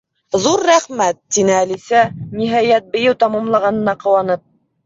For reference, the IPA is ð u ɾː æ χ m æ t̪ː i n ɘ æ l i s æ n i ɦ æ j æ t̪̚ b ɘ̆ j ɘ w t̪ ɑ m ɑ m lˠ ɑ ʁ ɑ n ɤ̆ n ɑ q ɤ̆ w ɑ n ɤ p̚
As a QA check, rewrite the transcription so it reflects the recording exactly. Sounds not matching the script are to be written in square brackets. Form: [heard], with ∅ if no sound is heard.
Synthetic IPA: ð u ɾː æ χ m æ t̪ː i n ɘ æ l i s æ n i ɦ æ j æ t̪̚ b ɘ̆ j ɘ w t̪ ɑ m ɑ m lˠ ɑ ʁ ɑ n ɤ̆ n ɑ q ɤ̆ w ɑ n ɤ p̚